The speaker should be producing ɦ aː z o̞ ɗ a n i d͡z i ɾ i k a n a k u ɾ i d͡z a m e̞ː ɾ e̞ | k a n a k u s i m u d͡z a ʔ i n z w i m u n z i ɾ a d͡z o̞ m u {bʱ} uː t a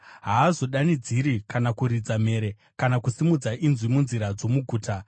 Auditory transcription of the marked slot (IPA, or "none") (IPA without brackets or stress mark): ɡʱ